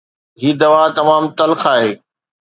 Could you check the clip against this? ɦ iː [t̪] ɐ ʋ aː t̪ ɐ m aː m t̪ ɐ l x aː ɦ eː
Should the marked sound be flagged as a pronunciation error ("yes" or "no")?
yes